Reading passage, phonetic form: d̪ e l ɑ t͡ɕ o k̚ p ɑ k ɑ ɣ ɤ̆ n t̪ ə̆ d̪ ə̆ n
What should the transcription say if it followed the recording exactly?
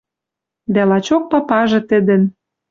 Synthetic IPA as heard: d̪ æ l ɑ t͡ɕ o k̚ p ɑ p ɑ ʒ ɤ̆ t̪ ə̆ d̪ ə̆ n